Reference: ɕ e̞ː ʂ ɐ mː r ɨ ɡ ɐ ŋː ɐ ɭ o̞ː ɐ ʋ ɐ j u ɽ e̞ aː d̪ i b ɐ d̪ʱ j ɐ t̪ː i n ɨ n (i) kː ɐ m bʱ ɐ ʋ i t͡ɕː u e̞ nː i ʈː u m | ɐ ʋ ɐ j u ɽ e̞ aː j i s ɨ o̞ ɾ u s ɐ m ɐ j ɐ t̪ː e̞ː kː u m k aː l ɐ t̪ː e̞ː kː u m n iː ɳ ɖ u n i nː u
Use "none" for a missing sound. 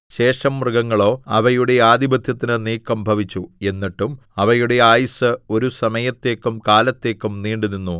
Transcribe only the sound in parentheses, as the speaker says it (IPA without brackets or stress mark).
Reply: iː